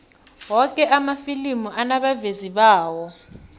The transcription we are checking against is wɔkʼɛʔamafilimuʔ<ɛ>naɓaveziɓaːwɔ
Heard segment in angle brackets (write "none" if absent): a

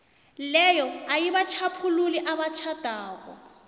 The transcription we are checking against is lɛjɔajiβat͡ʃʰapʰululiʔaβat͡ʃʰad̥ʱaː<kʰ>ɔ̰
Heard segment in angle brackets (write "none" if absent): k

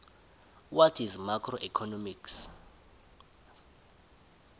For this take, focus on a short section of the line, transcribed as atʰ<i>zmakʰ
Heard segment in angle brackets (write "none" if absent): i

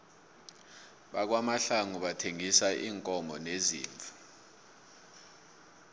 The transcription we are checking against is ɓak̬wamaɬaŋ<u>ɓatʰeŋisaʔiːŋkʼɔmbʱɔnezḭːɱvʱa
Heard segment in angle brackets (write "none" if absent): u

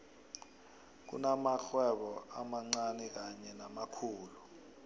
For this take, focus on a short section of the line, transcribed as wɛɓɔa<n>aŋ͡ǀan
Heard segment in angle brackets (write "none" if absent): m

